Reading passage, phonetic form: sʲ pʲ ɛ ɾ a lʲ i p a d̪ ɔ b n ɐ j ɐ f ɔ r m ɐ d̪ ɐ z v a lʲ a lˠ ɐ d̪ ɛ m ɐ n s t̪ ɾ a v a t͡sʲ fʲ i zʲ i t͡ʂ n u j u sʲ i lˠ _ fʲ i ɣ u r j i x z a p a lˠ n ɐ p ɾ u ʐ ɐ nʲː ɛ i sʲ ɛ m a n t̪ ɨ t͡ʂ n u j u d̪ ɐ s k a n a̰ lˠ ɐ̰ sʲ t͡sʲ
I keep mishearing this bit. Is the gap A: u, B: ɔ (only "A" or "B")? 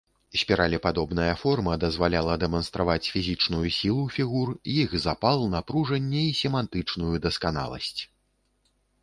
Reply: A